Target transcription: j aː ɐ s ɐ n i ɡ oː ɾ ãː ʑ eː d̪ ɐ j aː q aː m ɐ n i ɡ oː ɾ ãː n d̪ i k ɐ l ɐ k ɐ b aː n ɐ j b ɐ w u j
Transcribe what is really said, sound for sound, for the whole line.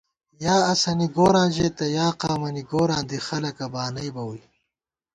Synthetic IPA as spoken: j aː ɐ s ɐ n i ɡ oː ɾ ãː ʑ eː t̪ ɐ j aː q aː m ɐ n i ɡ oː ɾ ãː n d̪ i x ɐ l ɐ k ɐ b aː n ɐ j b ɐ w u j